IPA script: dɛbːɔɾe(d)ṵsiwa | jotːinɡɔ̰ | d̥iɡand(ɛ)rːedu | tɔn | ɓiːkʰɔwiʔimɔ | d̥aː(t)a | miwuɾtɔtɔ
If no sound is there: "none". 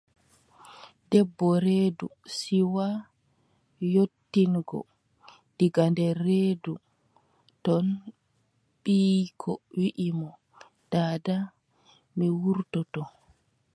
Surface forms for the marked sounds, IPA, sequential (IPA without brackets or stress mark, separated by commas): d, ɛ, d